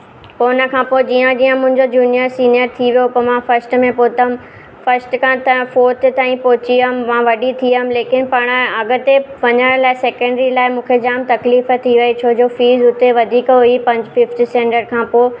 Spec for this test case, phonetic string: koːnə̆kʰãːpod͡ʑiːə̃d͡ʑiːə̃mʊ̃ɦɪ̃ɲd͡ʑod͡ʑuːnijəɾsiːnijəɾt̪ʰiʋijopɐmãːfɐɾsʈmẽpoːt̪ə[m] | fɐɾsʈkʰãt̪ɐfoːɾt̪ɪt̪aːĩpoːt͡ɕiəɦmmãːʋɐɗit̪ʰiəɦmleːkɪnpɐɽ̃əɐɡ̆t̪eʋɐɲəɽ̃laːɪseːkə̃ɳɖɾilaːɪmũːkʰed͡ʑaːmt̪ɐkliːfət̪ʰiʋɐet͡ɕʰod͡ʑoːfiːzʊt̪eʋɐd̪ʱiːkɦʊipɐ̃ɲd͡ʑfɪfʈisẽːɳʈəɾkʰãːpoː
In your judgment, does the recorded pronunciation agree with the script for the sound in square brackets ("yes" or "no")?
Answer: yes